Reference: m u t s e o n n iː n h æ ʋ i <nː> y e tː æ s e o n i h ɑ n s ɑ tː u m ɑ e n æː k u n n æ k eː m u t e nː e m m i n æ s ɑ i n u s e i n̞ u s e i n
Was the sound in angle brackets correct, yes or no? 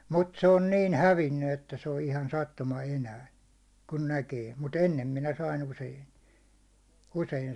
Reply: yes